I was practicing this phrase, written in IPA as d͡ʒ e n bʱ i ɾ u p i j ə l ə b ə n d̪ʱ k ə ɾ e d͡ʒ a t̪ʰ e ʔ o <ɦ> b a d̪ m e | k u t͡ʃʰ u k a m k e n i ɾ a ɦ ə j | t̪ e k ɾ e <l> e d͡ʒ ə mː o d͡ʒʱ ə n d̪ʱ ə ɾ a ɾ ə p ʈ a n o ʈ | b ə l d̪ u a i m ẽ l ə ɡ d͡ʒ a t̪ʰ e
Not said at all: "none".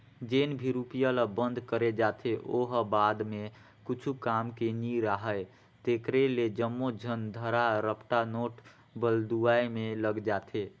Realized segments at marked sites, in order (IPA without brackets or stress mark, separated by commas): ɦ, l